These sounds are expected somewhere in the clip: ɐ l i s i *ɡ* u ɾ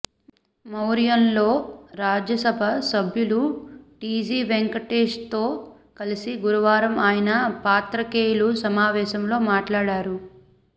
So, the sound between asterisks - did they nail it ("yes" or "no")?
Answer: yes